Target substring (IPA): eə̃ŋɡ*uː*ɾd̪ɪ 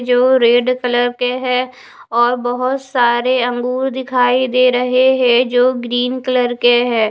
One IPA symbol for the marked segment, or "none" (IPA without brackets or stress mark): uː